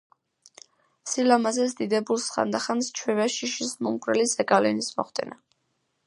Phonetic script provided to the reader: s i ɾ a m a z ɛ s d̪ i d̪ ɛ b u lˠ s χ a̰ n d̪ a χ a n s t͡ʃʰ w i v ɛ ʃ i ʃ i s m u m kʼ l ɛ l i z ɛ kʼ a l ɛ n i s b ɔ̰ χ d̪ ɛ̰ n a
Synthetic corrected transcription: s i l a m a z ɛ s d̪ i d̪ ɛ b u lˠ s χ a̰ n d̪ a χ a n s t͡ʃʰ w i v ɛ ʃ i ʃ i s m u m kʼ ɾ ɛ l i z ɛ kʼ a l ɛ n i s m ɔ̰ χ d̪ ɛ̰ n a